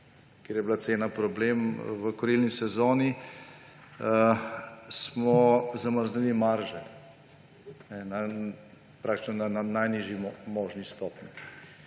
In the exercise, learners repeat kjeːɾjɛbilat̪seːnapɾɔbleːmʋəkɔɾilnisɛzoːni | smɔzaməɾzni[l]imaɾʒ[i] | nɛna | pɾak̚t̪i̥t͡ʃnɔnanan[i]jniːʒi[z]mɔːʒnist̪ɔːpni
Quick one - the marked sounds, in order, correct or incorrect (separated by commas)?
correct, incorrect, incorrect, incorrect